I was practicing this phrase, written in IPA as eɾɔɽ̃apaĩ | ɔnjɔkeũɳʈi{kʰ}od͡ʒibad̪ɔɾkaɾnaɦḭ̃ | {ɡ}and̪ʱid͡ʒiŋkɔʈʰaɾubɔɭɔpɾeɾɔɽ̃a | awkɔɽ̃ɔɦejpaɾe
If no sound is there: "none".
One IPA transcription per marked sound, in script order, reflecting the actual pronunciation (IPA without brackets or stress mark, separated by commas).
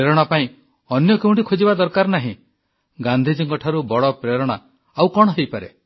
kʰ, ɡ